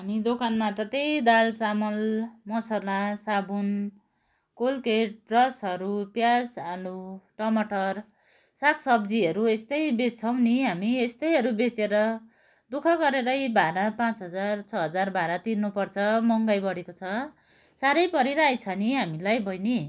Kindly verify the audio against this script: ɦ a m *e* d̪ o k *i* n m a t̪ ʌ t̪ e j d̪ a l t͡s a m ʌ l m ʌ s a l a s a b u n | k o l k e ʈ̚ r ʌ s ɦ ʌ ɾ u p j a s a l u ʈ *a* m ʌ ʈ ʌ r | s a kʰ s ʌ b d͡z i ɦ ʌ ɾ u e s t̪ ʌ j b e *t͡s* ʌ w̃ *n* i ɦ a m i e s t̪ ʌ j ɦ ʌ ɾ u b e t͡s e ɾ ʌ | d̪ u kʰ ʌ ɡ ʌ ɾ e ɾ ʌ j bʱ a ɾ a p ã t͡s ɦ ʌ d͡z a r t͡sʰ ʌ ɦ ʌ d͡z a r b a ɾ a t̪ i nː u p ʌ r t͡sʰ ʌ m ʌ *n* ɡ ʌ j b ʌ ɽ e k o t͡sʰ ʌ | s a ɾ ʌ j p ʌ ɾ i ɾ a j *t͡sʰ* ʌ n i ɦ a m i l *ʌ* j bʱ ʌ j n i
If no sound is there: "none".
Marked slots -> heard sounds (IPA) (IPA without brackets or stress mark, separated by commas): i, a, ʌ, t͡sʰ, n, ŋ, t͡sʰ, a